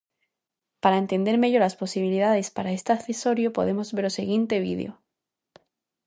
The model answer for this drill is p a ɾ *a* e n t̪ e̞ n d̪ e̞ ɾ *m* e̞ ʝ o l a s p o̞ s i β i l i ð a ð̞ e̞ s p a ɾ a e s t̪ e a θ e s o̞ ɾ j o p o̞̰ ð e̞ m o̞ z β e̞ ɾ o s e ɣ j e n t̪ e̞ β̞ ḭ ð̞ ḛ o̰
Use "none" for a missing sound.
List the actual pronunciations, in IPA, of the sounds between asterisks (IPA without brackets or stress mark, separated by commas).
a, m